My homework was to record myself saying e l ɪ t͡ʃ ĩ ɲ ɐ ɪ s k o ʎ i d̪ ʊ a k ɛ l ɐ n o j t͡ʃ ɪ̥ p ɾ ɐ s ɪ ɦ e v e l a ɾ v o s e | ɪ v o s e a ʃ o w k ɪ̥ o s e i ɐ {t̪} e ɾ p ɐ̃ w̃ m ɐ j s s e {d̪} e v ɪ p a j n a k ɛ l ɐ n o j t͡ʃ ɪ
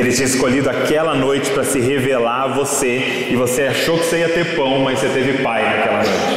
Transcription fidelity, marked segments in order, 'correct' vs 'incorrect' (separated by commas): correct, incorrect